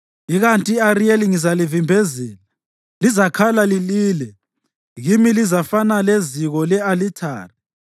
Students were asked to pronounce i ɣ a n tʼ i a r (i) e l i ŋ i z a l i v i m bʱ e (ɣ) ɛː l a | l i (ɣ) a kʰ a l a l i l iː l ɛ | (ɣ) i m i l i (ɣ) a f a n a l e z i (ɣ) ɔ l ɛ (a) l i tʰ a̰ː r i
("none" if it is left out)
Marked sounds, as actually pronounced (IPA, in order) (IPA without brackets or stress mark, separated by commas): i, z, z, ɣ, z, ɣ, a